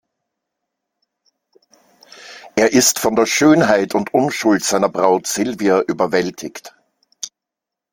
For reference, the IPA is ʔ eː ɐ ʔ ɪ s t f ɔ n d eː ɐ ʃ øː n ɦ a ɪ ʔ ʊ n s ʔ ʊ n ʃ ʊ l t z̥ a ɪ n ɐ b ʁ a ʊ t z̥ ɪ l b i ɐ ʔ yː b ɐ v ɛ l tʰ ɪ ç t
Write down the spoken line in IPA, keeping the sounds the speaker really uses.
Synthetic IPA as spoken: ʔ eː ɐ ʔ ɪ s t f ɔ n d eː ɐ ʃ øː n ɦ a ɪ t ʊ n t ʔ ʊ n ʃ ʊ l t z̥ a ɪ n ɐ b ʁ a ʊ t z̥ ɪ l v i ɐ ʔ yː b ɐ v ɛ l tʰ ɪ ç t